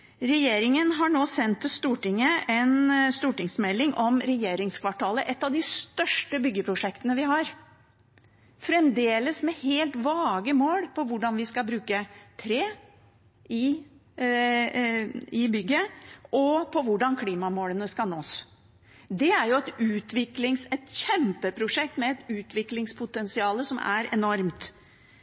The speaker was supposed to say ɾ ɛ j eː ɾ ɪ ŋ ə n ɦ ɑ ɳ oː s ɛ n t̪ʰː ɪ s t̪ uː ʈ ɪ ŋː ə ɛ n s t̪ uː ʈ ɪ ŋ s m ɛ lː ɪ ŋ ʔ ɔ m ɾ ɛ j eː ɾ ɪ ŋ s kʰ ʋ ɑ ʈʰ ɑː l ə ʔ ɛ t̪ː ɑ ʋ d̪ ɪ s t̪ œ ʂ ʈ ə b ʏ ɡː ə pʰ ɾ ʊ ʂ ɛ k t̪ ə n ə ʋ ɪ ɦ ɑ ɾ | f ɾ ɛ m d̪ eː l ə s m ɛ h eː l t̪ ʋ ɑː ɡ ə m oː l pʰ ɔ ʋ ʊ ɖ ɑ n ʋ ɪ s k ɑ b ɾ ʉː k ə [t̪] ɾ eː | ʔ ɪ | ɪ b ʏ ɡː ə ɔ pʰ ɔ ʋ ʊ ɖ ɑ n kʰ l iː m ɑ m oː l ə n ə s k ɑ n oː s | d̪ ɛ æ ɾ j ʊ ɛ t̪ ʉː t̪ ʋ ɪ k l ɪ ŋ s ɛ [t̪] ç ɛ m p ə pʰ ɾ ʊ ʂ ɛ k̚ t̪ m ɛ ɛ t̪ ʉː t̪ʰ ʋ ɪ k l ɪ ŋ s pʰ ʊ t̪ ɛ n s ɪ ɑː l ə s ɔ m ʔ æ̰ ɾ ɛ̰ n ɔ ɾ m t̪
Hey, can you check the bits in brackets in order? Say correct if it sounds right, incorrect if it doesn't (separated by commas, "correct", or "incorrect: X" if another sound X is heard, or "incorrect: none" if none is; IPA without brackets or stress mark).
incorrect: t̪ʰ, correct